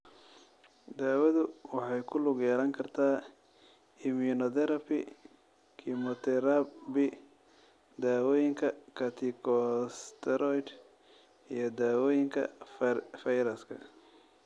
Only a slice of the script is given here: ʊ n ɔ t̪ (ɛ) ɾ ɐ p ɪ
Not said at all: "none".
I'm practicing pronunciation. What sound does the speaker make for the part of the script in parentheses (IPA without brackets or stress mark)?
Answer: ɛ